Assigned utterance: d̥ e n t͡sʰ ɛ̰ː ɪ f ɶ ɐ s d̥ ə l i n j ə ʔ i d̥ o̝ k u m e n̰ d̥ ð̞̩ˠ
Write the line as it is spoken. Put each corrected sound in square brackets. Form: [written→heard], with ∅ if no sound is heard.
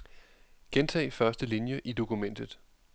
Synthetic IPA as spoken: [d̥→ɡ̥] e n t͡sʰ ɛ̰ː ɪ f ɶ ɐ s d̥ ə l i n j ə ʔ i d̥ o̝ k u m e n̰ d̥ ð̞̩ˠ